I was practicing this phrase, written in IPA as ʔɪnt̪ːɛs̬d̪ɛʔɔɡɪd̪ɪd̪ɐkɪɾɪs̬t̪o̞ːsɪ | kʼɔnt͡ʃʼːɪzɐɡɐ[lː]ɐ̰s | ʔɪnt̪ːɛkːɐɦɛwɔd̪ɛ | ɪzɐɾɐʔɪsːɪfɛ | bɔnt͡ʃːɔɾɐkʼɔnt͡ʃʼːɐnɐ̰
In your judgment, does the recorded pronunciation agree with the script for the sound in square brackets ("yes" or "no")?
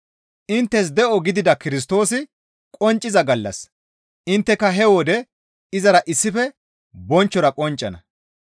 yes